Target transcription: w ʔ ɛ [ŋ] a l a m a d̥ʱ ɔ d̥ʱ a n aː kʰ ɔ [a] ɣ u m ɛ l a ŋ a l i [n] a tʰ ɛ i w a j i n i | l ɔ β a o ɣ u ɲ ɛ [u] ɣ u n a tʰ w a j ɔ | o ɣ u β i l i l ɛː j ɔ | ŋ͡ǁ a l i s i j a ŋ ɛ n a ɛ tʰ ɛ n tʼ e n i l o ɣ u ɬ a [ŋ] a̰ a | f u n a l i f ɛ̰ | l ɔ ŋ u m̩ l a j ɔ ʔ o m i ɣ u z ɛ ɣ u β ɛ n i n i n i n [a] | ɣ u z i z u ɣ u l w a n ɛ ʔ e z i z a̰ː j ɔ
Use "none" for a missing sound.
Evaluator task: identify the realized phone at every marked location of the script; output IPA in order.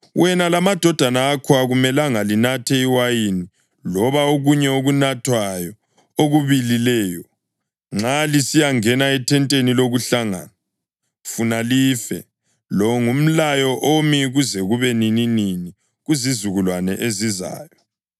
n, a, n, o, ŋ, i

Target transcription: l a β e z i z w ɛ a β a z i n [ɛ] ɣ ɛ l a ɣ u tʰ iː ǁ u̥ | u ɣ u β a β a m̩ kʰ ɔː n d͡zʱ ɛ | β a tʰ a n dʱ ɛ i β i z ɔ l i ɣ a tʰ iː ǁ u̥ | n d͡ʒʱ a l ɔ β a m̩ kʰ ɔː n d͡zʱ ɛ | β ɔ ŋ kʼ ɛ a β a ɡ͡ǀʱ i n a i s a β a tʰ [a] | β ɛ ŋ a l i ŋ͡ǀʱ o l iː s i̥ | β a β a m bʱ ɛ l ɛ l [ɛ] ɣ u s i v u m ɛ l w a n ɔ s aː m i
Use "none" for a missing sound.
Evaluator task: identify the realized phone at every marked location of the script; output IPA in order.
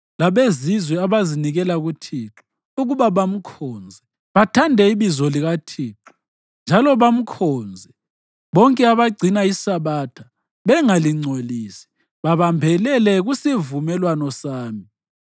i, a, ɛ

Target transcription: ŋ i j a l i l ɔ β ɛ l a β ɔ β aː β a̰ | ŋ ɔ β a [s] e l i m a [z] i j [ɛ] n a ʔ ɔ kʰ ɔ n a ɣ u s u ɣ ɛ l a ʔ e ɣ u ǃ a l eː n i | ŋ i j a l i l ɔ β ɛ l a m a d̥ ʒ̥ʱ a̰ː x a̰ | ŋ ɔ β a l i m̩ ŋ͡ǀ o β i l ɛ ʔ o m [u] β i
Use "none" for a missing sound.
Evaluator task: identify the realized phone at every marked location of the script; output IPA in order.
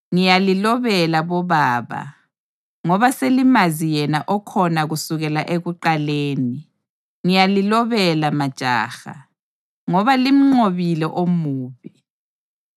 s, z, ɛ, uː

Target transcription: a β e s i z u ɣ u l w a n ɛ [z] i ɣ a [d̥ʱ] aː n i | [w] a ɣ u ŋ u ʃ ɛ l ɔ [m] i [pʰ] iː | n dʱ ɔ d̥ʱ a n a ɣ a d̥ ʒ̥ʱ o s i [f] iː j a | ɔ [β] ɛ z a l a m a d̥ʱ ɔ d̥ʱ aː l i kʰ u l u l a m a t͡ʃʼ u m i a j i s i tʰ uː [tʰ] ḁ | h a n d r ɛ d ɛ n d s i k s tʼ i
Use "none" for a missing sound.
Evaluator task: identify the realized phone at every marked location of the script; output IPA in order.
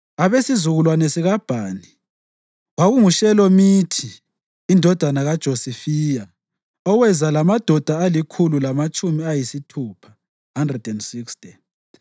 s, b̥ʱ, w, m, tʰ, f, w, pʰ

